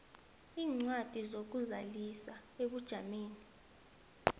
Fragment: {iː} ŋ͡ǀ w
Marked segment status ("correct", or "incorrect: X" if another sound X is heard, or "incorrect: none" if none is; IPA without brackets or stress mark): correct